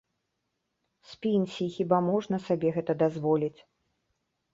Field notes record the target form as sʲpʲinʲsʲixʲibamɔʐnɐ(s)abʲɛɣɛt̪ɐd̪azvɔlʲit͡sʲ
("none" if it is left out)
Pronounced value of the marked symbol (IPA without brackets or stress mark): s